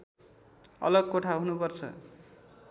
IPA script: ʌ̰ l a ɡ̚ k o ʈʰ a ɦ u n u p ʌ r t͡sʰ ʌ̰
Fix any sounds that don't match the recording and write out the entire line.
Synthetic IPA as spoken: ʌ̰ l ʌ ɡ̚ k o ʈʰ a ɦ u n u p ʌ r t͡sʰ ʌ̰